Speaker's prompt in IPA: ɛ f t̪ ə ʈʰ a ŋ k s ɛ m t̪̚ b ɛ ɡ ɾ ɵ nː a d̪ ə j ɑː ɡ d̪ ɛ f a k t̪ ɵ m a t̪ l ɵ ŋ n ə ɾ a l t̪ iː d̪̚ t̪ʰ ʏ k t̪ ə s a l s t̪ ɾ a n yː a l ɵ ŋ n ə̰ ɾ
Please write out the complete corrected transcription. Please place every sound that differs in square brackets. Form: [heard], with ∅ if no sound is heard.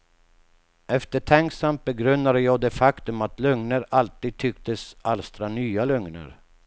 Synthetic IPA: ɛ f t̪ ə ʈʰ [ɛ] ŋ k s [a] m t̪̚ b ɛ ɡ ɾ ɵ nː a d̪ ə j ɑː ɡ d̪ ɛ f a k t̪ ɵ m a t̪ l ɵ ŋ n ə ɾ a l t̪ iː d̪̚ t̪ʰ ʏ k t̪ ə s a l s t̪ ɾ a n yː a l ɵ ŋ n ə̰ ɾ